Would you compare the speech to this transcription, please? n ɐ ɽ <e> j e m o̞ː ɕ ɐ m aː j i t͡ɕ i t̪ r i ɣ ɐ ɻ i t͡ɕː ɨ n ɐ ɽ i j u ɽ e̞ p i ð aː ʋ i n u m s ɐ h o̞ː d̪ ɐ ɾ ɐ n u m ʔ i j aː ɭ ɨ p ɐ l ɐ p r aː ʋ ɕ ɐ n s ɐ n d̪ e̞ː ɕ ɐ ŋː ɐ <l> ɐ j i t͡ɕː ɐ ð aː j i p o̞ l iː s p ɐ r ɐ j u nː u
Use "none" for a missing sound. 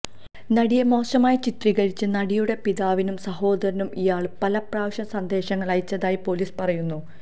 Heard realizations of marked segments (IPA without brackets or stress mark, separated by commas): i, ɭ